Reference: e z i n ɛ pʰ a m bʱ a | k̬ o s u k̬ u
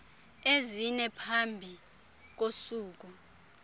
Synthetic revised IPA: e z i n ɛ pʰ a m bʱ i | k̬ o s uː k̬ u